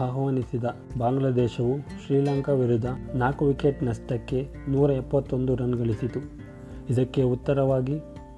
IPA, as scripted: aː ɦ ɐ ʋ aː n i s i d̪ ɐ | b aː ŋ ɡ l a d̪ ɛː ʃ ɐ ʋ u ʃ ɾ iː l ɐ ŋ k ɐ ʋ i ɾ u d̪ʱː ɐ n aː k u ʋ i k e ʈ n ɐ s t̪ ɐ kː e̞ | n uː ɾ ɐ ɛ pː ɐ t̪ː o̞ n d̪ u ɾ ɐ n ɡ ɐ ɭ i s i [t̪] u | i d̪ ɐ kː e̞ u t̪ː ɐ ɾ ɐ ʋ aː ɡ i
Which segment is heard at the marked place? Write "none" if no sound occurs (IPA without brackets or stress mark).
t̪